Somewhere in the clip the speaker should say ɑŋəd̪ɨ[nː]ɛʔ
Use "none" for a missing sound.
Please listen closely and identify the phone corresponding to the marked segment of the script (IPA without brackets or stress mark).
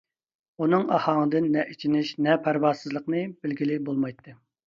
nː